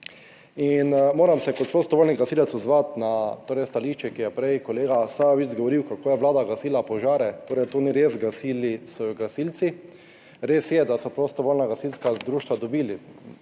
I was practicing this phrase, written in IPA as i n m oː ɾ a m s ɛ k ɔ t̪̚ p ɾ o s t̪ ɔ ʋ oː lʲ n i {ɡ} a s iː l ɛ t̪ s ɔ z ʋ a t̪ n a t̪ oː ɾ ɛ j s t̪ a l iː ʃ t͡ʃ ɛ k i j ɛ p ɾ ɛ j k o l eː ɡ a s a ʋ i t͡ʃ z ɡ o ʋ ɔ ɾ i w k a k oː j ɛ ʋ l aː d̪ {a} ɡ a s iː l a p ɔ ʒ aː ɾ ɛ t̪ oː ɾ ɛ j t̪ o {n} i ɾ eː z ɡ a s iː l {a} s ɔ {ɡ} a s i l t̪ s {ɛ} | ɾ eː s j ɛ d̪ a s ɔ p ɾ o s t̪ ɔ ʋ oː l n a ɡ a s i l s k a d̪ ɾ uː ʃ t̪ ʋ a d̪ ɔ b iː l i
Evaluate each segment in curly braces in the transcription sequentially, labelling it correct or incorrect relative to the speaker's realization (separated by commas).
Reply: correct, correct, correct, incorrect, correct, incorrect